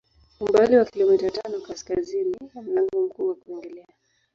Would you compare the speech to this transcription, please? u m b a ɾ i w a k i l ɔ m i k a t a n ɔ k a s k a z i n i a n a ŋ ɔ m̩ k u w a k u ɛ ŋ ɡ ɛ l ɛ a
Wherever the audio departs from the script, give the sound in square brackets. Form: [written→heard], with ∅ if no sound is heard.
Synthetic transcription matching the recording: u m b a [ɾ→l] i w a k i l ɔ m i [k→t] a t a n ɔ k a s k a z i n i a n a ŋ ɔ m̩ k u w a k u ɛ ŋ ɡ ɛ l ɛ a